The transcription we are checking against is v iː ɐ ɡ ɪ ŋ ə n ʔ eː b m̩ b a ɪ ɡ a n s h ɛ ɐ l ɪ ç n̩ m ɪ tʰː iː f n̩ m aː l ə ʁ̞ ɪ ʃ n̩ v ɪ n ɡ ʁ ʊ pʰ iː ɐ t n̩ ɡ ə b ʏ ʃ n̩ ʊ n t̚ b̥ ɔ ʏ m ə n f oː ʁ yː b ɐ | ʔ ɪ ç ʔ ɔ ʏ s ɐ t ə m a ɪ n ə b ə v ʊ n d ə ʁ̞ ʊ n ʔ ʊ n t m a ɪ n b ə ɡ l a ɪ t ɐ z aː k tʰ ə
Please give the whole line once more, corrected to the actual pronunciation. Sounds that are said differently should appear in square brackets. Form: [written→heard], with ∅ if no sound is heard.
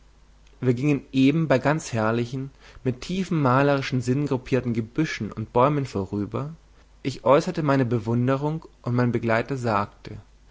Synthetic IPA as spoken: v iː ɐ ɡ ɪ ŋ ə n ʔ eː b m̩ b a ɪ ɡ a n [s→t͡s] h ɛ ɐ l ɪ ç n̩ m ɪ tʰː iː f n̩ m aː l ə ʁ̞ ɪ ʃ n̩ [v→z] ɪ n ɡ ʁ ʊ pʰ iː ɐ t n̩ ɡ ə b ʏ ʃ n̩ ʊ n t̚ b̥ ɔ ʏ m ə n f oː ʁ yː b ɐ | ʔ ɪ ç ʔ ɔ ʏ s ɐ t ə m a ɪ n ə b ə v ʊ n d ə ʁ̞ ʊ [n→ŋ] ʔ ʊ n t m a ɪ n b ə ɡ l a ɪ t ɐ z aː k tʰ ə